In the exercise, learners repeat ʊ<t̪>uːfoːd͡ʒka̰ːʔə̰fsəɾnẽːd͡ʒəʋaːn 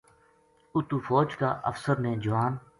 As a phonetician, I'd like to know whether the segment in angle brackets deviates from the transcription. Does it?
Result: no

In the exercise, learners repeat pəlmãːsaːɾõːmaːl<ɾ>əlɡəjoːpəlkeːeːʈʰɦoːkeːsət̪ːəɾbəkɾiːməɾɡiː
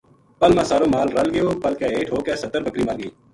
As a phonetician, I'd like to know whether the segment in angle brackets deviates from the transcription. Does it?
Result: no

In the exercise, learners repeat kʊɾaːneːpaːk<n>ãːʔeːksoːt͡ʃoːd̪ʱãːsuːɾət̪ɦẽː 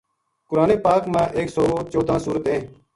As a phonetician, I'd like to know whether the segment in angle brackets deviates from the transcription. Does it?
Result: yes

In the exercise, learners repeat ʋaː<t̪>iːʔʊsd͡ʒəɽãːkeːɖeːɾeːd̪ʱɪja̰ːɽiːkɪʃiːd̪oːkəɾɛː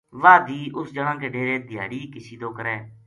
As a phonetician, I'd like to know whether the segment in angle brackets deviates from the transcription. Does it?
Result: yes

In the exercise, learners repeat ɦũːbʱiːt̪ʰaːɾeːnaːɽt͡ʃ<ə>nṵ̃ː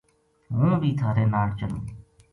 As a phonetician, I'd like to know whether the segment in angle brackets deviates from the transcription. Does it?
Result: no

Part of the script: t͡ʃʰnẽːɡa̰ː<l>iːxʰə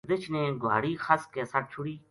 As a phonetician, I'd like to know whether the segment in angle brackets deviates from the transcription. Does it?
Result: yes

